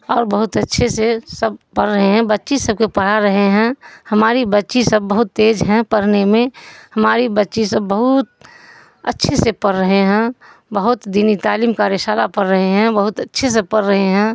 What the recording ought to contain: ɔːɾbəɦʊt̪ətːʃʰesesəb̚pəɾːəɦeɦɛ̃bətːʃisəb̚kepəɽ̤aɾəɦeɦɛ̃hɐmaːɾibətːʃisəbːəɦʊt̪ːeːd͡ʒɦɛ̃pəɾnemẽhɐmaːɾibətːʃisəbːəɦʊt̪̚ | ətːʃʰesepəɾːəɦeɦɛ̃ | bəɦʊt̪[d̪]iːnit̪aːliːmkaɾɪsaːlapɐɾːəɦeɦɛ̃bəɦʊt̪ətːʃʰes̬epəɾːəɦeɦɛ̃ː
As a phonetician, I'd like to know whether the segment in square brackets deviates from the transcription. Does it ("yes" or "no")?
no